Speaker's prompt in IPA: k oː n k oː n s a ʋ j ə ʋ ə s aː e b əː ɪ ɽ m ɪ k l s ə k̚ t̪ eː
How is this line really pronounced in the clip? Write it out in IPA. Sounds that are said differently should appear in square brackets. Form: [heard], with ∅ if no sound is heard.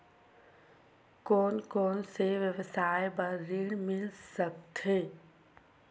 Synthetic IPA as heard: k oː n k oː n s [e] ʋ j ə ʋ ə s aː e b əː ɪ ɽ m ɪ [∅] l s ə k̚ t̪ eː